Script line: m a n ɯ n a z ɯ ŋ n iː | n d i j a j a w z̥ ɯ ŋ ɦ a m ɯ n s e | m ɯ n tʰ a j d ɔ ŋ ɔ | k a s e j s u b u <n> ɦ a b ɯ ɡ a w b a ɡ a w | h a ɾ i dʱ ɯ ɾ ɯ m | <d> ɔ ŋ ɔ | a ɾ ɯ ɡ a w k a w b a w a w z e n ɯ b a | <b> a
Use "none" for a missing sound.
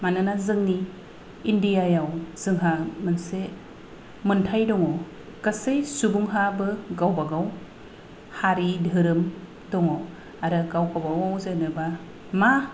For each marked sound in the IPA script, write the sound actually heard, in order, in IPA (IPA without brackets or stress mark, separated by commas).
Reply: ŋ, d, m